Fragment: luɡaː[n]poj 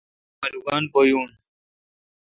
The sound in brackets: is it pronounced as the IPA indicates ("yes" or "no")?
yes